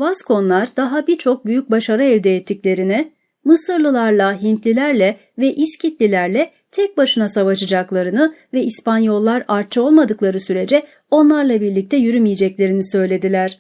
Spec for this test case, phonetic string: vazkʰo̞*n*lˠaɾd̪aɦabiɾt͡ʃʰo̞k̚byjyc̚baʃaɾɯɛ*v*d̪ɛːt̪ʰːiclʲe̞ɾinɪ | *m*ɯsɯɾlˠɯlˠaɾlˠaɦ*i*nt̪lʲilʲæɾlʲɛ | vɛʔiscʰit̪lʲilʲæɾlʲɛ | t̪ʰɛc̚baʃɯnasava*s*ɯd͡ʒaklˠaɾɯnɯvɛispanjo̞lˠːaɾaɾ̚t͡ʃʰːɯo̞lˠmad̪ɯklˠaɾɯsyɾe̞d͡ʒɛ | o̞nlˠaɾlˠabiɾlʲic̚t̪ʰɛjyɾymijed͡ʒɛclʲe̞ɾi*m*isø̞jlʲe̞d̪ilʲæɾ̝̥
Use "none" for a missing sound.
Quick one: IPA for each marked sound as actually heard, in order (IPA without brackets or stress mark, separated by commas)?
n, v, m, i, ʃ, n